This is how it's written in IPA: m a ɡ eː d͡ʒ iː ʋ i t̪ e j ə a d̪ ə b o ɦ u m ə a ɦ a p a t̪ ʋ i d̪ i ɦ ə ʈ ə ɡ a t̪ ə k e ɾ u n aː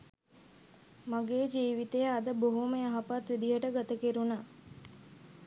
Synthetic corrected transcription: m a ɡ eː d͡ʒ iː ʋ i t̪ e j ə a d̪ ə b o ɦ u m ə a ɦ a p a t̪ ʋ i d̪ i ɦ ə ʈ ə ɡ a t̪ ə k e ɾ u n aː